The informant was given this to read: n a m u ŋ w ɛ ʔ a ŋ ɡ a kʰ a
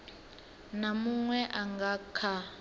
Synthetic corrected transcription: n a m u ŋ w ɛ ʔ a ŋ ɡ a kʰ a